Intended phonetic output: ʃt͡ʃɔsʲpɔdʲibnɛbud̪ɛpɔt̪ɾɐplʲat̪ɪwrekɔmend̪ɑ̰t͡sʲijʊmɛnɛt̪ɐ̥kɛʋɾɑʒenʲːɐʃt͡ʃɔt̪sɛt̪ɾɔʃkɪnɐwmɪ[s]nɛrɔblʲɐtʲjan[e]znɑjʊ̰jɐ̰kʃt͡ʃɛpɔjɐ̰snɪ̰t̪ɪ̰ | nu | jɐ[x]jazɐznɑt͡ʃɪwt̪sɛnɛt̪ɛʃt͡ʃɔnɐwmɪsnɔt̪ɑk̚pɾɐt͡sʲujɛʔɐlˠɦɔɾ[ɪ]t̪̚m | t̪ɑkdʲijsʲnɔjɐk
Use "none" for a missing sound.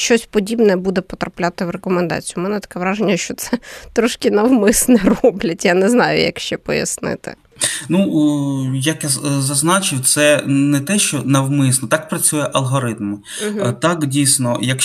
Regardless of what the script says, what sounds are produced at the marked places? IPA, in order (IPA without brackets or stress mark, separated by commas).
s, ɛ, k, ɪ